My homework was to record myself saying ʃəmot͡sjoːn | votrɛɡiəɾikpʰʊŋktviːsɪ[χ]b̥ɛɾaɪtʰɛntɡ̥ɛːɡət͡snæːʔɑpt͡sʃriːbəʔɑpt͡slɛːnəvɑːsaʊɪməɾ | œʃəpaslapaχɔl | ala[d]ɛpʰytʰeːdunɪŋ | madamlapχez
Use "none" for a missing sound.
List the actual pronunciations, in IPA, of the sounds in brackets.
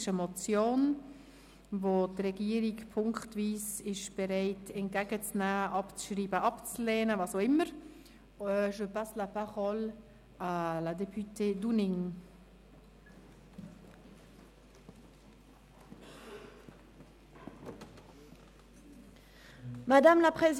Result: ʃ, d

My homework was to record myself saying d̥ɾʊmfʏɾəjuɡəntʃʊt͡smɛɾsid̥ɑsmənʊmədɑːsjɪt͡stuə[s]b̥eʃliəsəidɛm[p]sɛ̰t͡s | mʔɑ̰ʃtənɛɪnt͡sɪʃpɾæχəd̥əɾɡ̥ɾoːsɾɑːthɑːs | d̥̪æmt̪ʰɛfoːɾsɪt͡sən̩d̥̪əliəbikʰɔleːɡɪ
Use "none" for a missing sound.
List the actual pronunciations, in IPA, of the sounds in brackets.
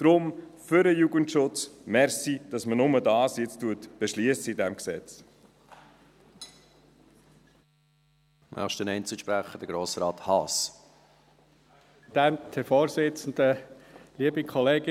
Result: t, k

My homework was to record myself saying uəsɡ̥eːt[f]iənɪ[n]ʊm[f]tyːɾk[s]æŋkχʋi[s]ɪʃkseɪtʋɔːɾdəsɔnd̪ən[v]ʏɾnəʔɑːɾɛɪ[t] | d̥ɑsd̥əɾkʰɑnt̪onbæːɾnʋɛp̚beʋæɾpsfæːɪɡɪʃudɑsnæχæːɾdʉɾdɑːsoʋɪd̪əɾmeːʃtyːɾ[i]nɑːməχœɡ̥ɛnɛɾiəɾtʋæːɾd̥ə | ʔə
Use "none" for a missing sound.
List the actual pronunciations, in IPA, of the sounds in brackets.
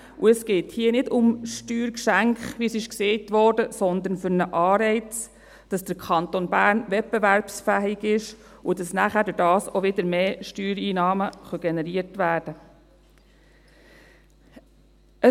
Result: h, d, ʃ, ʃ, s, f, t͡s, iː

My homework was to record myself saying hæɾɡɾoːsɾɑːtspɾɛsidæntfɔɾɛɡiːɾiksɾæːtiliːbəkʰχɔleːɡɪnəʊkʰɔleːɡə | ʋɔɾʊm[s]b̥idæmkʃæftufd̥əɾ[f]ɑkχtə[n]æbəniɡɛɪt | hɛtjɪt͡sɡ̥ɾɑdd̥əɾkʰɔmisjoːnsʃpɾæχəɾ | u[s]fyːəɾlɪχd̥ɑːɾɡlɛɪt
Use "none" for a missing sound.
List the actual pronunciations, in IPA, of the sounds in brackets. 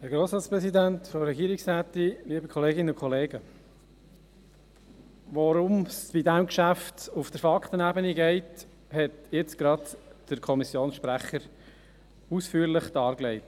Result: s, f, n, s

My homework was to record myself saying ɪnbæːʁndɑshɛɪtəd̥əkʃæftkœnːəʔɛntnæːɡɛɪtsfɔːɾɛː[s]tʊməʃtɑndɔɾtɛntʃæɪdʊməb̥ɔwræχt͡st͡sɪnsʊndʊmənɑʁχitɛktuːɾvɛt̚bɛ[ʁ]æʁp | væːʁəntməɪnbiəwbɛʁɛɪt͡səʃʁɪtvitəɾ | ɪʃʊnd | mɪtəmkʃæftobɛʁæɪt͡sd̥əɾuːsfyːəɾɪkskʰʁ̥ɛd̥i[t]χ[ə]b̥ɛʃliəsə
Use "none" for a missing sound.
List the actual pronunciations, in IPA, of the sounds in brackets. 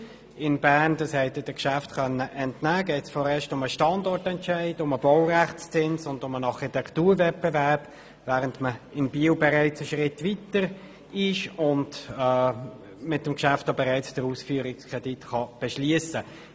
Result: ʃ, v, t, ɑ

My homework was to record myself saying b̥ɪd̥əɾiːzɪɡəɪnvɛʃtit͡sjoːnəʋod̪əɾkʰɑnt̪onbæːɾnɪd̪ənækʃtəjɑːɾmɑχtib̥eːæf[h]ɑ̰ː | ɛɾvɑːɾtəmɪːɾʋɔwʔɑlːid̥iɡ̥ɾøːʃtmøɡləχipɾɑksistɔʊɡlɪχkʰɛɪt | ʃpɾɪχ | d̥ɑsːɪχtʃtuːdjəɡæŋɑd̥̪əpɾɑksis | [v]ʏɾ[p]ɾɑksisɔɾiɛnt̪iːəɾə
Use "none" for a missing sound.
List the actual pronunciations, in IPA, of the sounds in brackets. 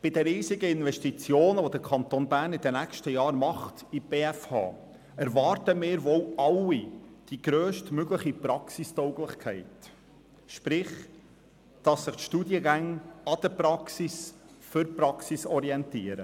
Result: h, f, p

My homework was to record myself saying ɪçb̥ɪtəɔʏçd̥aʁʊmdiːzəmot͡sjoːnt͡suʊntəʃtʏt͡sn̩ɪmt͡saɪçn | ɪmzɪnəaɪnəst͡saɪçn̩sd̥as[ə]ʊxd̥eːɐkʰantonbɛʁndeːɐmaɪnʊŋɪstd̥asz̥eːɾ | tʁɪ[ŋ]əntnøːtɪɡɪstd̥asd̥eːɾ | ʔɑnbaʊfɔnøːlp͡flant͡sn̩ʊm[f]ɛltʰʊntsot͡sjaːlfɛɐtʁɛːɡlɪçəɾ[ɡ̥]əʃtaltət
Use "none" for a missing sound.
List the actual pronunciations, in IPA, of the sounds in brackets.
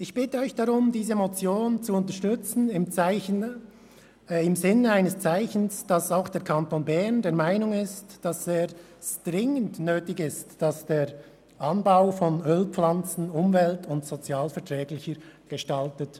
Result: a, ŋ, v, ɡ̥

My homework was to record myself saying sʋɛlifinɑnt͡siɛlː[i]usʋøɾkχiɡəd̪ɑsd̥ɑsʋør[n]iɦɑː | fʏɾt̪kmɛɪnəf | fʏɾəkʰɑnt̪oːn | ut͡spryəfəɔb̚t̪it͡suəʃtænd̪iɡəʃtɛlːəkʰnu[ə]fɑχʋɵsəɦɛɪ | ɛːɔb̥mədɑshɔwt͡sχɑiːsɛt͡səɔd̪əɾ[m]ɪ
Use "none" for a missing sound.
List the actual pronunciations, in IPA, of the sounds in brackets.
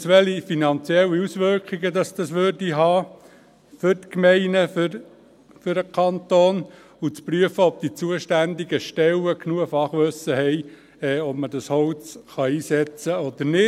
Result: i, d, ə, n

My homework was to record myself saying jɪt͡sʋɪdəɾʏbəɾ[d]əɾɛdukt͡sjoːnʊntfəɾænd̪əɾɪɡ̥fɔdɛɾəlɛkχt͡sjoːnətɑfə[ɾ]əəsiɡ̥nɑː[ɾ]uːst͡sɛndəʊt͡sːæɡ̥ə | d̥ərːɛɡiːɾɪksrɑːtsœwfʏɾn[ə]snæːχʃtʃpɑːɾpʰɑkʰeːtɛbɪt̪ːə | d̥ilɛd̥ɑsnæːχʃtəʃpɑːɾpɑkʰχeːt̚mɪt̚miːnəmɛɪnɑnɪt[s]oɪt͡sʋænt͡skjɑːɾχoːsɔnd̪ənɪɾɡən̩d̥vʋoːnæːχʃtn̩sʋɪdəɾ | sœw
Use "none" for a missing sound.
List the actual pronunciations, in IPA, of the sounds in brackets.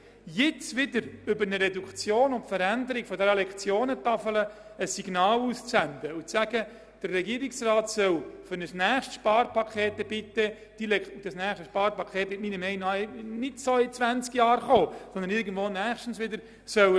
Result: n, l, l, ə, s

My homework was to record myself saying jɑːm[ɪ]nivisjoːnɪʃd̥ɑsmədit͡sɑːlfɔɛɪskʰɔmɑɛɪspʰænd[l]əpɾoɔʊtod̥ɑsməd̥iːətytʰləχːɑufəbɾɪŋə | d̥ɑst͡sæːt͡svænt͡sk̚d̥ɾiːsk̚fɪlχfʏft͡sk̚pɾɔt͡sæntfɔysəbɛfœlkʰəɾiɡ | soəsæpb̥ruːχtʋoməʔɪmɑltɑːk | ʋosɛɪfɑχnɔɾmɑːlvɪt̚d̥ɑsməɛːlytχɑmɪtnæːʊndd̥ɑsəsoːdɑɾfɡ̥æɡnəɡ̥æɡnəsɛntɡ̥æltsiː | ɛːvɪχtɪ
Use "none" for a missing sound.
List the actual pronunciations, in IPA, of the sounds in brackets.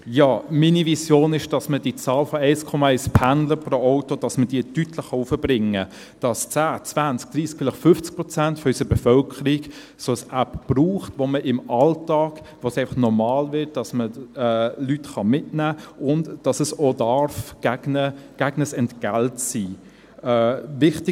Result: i, l

